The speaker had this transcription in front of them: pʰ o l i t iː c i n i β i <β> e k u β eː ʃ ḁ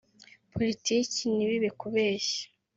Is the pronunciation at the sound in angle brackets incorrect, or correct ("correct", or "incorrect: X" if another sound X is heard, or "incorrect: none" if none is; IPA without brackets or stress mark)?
correct